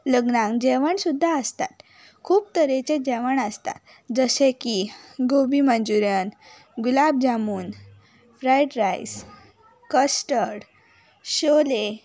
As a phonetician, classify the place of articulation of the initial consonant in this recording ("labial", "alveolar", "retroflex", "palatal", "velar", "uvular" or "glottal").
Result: alveolar